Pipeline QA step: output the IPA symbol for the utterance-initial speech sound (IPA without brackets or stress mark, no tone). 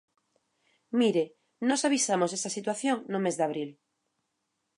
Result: m